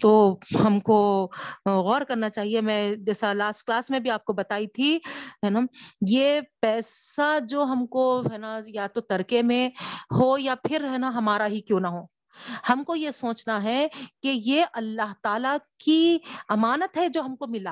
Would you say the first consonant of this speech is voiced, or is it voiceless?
voiceless